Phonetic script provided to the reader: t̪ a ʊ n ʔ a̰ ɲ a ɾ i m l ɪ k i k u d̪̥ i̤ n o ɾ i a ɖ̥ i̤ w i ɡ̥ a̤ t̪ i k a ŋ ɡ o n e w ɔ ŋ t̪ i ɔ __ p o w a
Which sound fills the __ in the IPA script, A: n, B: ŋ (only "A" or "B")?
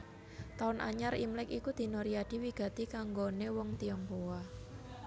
B